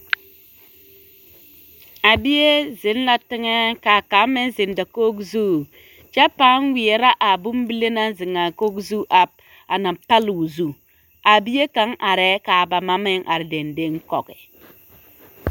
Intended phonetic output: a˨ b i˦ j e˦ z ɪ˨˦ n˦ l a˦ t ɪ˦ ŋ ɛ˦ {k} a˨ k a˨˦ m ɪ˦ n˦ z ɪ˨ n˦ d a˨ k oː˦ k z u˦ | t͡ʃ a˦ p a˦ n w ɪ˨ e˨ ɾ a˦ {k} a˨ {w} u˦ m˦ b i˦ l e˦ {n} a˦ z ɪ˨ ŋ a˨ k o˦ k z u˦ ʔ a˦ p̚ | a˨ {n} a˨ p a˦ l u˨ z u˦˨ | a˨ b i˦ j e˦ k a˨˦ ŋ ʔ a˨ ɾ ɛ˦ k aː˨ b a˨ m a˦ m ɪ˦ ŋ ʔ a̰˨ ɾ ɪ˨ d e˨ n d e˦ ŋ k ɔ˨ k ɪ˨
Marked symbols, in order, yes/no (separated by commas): yes, no, no, yes, yes